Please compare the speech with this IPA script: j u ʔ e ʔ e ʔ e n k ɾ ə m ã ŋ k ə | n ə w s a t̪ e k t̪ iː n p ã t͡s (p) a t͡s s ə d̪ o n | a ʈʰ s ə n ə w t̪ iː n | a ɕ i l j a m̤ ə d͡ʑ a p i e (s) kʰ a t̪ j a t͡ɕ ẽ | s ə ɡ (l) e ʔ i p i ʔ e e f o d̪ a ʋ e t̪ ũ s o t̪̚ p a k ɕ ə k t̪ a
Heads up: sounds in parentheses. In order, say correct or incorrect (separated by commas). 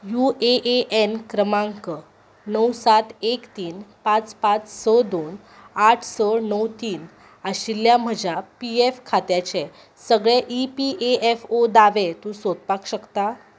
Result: correct, incorrect, incorrect